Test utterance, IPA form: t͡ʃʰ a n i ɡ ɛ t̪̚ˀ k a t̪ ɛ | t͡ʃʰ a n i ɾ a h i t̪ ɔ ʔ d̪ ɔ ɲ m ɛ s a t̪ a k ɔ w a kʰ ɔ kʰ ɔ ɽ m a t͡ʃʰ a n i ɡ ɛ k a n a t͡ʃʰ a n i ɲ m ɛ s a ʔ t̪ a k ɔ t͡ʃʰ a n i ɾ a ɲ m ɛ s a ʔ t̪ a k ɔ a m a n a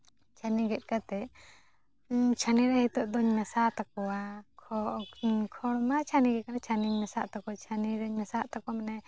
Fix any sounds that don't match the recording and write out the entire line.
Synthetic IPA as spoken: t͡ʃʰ a n i ɡ ɛ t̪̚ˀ k a t̪ ɛ | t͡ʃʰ a n i ɾ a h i t̪ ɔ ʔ d̪ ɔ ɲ m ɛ s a t̪ a k ɔ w a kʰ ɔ kʰ ɔ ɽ m a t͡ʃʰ a n i ɡ ɛ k a n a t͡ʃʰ a n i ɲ m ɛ s a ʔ t̪ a k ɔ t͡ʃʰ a n i ɾ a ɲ m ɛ s a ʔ t̪ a k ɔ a m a n ɛ